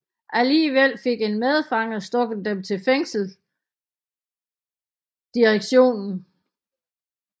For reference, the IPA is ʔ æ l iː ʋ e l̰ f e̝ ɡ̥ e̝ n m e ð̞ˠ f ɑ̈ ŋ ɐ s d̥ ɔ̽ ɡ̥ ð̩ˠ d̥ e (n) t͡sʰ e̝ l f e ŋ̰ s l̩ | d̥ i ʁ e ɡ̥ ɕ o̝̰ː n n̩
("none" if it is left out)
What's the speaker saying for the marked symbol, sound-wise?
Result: m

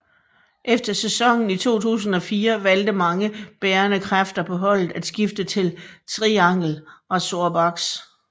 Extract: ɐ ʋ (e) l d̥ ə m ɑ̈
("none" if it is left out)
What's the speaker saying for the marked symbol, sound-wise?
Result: æ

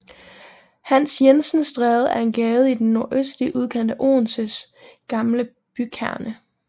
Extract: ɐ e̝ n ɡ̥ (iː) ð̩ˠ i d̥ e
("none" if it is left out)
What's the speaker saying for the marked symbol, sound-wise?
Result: ɛː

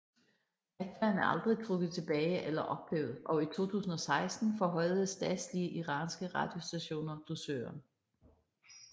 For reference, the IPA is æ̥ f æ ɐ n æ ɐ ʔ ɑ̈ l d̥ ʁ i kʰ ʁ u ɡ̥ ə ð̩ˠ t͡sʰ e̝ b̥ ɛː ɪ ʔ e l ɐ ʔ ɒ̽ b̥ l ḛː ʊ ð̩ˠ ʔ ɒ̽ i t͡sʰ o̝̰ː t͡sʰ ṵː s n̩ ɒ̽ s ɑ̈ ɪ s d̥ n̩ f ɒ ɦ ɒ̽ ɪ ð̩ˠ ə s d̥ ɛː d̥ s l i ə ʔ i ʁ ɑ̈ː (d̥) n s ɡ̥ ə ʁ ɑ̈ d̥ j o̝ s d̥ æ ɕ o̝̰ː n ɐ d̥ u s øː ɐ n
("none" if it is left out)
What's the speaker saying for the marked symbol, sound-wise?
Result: none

